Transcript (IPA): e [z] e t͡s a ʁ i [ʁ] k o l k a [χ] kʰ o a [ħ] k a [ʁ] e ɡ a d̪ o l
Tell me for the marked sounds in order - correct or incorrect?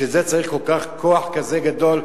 correct, incorrect, correct, correct, incorrect

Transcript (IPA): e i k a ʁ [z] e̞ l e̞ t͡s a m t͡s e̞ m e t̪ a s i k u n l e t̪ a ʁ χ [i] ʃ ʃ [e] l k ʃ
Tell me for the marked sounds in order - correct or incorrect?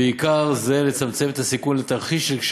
correct, correct, correct

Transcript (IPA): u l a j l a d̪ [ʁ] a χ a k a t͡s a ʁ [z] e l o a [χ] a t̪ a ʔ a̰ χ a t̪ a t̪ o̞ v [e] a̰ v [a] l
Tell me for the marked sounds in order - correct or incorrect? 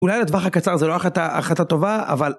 incorrect, correct, correct, incorrect, correct

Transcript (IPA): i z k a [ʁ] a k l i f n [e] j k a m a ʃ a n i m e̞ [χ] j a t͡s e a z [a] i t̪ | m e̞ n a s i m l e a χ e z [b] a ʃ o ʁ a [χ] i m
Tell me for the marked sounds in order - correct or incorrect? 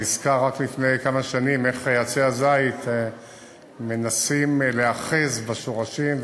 correct, correct, correct, correct, correct, incorrect

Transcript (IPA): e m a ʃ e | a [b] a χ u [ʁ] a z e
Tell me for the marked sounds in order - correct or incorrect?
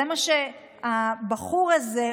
correct, correct

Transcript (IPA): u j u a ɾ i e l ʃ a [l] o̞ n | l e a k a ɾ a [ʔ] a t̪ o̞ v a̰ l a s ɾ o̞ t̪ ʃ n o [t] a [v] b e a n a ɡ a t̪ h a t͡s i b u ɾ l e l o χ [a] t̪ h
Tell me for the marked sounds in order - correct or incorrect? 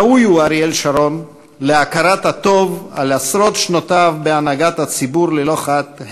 incorrect, incorrect, correct, correct, correct

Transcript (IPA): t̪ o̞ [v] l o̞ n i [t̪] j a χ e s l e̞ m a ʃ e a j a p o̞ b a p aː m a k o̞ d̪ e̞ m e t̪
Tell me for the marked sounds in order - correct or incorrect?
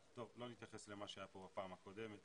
correct, correct

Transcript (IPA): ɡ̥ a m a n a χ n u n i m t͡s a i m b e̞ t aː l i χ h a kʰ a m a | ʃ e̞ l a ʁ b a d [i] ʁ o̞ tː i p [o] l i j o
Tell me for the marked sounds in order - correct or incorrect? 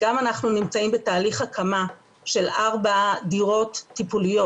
correct, incorrect

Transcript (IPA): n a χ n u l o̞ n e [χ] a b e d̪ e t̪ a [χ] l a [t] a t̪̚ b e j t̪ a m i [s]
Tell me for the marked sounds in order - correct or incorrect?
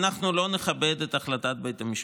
correct, correct, correct, incorrect

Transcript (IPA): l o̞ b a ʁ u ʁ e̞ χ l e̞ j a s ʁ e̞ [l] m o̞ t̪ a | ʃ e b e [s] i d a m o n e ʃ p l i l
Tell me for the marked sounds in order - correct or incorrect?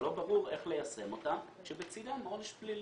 incorrect, incorrect

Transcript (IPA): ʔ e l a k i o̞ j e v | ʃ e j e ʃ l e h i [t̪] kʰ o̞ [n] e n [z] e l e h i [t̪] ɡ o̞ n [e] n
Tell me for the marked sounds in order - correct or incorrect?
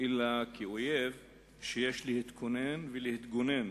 correct, correct, incorrect, correct, correct

